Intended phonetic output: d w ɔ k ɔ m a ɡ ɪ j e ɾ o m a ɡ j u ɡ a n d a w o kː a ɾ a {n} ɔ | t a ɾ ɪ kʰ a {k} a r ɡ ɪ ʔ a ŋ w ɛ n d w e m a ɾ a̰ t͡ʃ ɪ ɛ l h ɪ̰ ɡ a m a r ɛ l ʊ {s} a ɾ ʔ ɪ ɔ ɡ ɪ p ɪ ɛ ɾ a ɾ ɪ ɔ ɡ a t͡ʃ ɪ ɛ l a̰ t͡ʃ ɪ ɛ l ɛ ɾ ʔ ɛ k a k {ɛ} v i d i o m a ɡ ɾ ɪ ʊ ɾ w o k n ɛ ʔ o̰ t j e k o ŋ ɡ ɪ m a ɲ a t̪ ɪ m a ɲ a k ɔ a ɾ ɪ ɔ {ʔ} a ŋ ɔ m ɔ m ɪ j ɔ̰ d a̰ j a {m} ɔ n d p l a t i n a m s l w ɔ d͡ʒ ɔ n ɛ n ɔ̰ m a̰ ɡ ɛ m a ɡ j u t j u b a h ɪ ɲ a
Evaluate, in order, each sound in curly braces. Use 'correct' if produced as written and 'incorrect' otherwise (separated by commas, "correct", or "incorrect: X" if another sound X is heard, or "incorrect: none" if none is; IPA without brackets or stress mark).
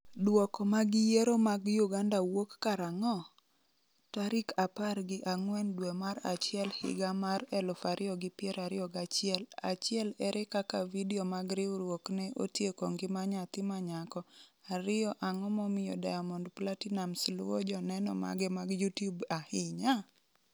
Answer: incorrect: ŋ, incorrect: p, incorrect: f, incorrect: a, correct, correct